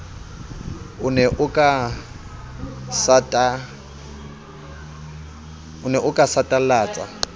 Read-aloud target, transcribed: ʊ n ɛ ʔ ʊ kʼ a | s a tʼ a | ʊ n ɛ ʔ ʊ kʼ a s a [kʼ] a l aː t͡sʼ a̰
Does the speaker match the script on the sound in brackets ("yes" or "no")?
no